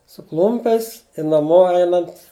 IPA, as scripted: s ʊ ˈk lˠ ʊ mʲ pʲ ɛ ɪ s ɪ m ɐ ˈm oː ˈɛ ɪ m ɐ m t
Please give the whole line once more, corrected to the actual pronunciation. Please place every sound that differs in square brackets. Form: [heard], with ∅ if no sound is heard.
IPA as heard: s ʊ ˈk lˠ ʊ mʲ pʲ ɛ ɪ s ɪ [n] ɐ ˈm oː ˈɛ ɪ [n] ɐ [n] t

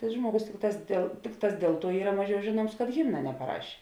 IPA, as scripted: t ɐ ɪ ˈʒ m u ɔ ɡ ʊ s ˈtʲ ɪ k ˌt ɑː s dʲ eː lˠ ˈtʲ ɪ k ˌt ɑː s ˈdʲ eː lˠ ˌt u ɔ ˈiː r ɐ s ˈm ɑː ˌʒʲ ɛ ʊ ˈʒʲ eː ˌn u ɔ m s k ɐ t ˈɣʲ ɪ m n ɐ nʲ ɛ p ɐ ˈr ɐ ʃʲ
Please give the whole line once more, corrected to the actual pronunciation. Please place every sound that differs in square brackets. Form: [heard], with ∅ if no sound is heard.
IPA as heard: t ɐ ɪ ˈʒ m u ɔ ɡ ʊ s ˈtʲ ɪ k ˌt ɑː s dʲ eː lˠ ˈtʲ ɪ k ˌt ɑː s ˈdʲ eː lˠ ˌt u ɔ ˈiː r ɐ [∅] ˈm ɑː ˌʒʲ ɛ ʊ ˈʒʲ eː ˌn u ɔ m s k ɐ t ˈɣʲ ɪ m n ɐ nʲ ɛ p ɐ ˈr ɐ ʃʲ

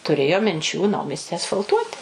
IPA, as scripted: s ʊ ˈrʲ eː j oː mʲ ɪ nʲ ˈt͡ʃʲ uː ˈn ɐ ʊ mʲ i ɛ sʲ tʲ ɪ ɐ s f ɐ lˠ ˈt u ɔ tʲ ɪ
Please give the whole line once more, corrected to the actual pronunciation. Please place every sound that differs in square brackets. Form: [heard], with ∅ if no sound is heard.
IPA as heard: [t] ʊ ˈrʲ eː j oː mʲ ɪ nʲ ˈt͡ʃʲ uː ˈn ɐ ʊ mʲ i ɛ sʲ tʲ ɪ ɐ s f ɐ lˠ ˈt u ɔ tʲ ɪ

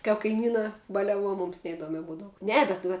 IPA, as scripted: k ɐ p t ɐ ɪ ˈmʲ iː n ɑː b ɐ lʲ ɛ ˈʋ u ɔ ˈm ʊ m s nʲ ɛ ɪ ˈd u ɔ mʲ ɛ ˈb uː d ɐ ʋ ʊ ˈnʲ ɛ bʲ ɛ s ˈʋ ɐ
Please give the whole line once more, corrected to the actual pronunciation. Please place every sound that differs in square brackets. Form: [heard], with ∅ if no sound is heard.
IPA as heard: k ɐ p [k] ɐ ɪ ˈmʲ iː n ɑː b ɐ lʲ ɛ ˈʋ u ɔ ˈm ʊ m s nʲ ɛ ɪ ˈd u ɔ mʲ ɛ ˈb uː d ɐ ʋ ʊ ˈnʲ ɛ bʲ ɛ [t] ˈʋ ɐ

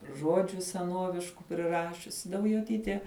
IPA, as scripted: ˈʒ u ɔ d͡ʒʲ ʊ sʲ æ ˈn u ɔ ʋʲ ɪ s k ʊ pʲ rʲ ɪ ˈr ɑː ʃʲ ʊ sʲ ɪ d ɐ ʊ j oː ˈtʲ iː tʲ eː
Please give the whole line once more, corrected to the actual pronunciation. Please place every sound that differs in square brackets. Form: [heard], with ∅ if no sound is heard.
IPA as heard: ˈʒ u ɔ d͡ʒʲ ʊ sʲ [ɛ] ˈn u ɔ ʋʲ ɪ [ʃ] k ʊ pʲ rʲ ɪ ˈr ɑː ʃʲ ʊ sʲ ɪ d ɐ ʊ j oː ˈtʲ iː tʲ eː

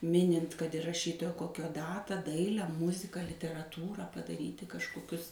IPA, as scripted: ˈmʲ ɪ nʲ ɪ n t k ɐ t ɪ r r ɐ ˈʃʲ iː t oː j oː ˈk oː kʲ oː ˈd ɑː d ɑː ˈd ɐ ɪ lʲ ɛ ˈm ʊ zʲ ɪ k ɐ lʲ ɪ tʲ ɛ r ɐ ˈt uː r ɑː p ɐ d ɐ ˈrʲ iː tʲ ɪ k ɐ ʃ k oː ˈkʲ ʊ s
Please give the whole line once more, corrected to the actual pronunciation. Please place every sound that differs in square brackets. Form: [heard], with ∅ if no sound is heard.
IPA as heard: ˈmʲ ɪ nʲ ɪ n t k ɐ t ɪ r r ɐ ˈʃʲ iː t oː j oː ˈk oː kʲ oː ˈd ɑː [t] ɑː ˈd ɐ ɪ lʲ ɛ ˈm ʊ zʲ ɪ k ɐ lʲ ɪ tʲ ɛ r ɐ ˈt uː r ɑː p ɐ d ɐ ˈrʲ iː tʲ ɪ k ɐ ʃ k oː ˈkʲ ʊ s

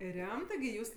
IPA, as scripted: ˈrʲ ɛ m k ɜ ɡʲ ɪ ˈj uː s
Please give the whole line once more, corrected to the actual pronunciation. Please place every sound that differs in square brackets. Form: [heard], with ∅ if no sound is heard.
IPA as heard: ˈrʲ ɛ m [t] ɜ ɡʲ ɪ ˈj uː s

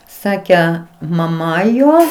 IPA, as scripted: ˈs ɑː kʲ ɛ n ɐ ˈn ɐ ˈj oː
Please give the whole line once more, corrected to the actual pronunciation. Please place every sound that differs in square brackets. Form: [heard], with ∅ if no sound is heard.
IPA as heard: ˈs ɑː kʲ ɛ [m] ɐ [ˈm] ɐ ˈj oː

